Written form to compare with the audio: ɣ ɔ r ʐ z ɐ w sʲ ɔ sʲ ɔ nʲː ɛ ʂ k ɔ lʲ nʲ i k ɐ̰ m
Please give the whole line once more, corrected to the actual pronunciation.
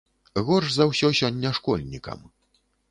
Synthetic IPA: ɣ ɔ r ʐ z ɐ w sʲ ɔ sʲ ɔ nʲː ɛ ʂ k ɔ lʲ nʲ i k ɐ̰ m